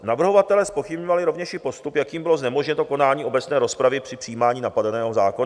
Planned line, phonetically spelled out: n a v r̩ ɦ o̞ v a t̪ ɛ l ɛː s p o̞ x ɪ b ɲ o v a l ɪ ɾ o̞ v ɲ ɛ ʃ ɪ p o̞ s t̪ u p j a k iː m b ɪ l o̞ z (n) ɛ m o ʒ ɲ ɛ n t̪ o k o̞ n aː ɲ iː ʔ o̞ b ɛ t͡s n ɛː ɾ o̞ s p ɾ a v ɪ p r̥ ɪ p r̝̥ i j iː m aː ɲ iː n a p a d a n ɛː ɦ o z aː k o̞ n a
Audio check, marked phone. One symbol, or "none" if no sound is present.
n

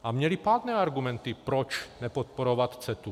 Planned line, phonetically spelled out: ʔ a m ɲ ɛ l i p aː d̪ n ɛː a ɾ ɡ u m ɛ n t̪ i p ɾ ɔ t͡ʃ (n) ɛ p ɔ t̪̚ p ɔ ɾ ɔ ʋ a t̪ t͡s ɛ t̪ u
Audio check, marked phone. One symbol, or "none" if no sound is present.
n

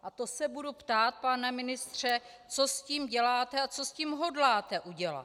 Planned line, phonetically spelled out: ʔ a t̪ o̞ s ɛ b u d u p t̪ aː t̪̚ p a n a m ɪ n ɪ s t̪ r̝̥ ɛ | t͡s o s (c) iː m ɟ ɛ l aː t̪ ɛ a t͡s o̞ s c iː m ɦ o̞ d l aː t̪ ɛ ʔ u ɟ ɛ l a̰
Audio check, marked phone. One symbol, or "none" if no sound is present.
c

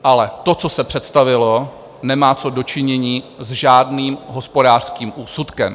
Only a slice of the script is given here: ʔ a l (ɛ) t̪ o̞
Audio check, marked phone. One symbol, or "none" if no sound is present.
ɛ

